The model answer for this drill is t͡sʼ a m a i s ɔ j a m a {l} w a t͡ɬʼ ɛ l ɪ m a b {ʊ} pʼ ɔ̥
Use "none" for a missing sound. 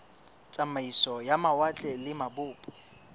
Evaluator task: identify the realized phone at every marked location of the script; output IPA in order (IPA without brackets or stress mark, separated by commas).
none, ʊː